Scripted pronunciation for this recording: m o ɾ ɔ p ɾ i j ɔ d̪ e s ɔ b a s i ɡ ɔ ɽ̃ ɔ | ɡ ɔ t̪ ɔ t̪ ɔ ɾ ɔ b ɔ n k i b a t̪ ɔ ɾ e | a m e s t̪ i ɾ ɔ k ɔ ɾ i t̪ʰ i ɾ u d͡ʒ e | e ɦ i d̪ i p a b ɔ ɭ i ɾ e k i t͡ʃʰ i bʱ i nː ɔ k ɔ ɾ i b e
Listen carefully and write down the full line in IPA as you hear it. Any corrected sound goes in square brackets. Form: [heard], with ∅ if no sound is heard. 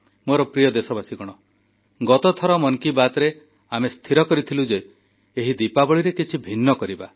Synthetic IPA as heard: m o ɾ ɔ p ɾ i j ɔ d̪ e s ɔ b a s i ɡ ɔ ɽ̃ ɔ | ɡ ɔ t̪ ɔ [t̪ʰ] ɔ ɾ ɔ [m] ɔ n k i b a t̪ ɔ ɾ e | a m e s [t̪ʰ] i ɾ ɔ k ɔ ɾ i t̪ʰ i [l] u d͡ʒ e | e ɦ i d̪ i p a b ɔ ɭ i ɾ e k i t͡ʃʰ i bʱ i nː ɔ k ɔ ɾ i b [a]